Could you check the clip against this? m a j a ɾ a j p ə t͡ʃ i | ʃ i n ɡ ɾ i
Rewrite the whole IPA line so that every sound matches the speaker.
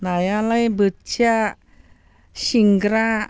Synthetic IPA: n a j a l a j b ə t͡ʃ a | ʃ i ŋ ɡ ɾ a